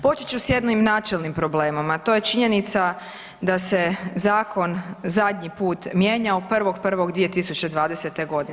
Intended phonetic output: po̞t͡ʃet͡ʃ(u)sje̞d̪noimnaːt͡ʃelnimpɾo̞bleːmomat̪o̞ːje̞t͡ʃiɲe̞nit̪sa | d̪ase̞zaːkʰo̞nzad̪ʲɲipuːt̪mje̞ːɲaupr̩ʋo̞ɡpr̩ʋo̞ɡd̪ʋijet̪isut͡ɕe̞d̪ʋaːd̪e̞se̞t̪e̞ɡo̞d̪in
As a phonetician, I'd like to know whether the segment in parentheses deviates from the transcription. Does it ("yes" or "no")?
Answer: no